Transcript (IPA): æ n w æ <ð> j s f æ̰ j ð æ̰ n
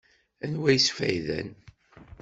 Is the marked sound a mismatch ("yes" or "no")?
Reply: yes